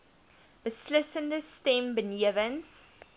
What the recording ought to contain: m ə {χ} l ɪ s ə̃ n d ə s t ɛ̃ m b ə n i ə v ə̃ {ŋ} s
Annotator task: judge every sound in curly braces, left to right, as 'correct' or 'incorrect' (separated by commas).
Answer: incorrect, incorrect